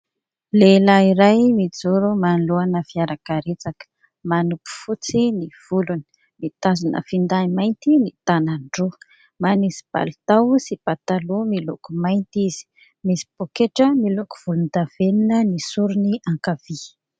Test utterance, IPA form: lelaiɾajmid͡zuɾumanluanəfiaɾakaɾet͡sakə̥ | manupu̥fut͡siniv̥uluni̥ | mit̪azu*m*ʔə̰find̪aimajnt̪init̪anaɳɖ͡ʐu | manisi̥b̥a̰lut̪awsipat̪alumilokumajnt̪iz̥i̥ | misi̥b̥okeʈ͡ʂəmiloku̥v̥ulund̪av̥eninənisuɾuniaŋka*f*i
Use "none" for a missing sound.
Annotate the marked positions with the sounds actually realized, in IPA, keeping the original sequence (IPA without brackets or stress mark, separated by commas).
n, v